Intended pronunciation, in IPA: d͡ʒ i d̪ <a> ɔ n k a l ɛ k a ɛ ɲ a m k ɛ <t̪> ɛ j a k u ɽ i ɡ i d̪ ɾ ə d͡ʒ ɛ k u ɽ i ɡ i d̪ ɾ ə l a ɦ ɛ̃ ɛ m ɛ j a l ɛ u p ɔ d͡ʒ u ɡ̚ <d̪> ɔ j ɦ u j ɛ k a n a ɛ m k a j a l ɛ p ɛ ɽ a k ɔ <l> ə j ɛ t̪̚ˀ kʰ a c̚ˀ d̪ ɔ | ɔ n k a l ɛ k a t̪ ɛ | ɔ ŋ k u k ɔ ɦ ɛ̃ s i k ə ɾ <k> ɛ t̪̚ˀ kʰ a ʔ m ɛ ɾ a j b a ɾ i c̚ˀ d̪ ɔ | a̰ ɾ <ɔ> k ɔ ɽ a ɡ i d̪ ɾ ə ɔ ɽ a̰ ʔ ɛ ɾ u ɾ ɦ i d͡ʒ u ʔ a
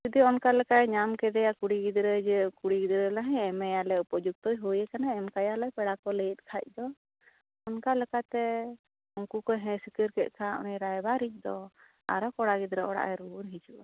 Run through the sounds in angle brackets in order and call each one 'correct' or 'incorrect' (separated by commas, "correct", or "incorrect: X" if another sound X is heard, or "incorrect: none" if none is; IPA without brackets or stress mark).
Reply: incorrect: i, incorrect: d̪, incorrect: t̪, correct, correct, correct